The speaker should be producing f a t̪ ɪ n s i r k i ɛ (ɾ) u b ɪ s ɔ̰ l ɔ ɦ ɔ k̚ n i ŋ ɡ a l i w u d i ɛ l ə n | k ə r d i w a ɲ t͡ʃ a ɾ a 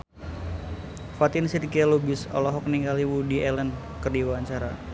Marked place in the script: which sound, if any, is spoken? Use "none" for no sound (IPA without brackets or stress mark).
l